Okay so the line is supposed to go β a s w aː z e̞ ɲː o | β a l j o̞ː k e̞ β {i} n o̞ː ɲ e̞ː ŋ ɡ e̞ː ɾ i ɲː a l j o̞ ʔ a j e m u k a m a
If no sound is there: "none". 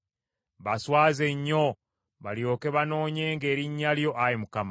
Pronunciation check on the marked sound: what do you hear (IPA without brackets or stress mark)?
a